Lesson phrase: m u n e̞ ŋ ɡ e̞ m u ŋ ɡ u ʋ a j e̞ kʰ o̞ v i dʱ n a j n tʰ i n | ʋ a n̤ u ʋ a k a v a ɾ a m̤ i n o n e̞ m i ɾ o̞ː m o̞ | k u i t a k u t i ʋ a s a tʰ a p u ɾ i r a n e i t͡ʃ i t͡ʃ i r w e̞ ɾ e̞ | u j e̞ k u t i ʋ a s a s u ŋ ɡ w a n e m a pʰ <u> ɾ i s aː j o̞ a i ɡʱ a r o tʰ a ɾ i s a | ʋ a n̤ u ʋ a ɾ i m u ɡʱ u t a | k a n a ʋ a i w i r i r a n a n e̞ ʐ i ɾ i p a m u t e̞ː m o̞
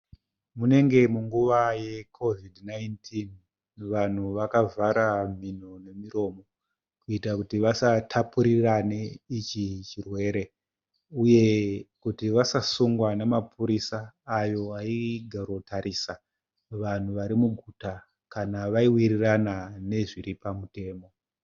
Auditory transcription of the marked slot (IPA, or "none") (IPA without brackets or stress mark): u